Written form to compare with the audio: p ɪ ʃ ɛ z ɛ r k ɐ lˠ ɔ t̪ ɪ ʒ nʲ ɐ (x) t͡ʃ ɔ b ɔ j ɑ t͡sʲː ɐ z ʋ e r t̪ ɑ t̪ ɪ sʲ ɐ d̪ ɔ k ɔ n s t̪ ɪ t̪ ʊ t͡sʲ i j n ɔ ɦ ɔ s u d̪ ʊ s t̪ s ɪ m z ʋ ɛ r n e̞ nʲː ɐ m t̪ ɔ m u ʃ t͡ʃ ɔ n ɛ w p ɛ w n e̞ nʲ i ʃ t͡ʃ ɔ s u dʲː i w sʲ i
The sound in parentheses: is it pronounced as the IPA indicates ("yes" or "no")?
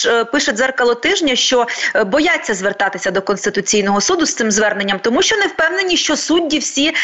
no